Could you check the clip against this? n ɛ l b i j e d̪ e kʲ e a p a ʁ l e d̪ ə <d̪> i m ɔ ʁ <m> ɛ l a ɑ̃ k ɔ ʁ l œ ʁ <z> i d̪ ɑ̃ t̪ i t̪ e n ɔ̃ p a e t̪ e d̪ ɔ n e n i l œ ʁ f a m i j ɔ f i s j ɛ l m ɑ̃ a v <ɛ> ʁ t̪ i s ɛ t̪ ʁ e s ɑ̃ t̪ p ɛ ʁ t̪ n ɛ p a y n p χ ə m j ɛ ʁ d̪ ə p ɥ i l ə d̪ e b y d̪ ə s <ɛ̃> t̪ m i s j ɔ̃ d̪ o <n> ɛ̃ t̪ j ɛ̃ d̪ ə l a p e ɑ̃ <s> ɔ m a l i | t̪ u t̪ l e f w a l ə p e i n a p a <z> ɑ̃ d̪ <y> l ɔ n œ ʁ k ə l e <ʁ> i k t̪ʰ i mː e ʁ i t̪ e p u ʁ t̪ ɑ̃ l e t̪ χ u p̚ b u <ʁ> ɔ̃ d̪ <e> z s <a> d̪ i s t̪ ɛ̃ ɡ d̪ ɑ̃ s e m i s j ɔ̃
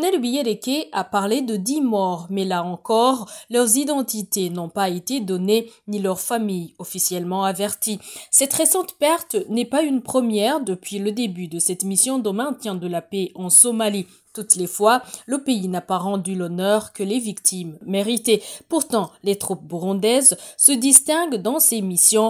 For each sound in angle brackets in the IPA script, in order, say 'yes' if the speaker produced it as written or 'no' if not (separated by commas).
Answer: yes, yes, yes, yes, no, no, yes, no, yes, no, yes, no, no